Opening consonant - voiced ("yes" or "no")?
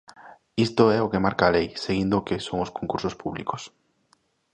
no